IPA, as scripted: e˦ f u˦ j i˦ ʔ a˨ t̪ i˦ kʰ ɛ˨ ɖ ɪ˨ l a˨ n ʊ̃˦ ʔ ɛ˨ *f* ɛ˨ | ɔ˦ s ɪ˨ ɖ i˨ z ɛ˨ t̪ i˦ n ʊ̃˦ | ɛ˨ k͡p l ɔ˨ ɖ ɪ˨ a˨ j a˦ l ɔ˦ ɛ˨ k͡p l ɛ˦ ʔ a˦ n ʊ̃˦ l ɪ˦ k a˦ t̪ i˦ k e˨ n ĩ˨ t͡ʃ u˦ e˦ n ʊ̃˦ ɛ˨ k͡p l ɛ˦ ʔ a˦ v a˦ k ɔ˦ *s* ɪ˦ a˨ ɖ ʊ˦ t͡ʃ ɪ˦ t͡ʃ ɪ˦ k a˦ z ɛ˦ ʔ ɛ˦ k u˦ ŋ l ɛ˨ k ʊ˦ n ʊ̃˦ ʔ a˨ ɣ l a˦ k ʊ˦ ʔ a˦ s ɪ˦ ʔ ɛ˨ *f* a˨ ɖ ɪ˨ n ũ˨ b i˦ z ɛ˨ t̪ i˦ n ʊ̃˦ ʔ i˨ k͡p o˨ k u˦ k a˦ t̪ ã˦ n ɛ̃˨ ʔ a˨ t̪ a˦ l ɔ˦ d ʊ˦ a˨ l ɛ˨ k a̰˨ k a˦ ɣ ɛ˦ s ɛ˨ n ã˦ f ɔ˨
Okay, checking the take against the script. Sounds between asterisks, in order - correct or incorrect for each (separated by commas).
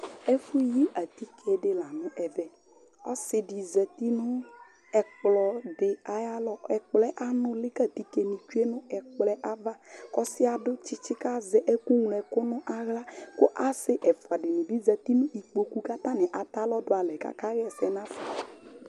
incorrect, correct, correct